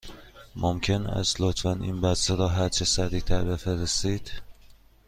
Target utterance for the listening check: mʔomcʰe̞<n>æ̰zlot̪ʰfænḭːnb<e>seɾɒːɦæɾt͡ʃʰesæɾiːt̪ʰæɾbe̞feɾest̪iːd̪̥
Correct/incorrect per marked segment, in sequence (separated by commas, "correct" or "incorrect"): correct, incorrect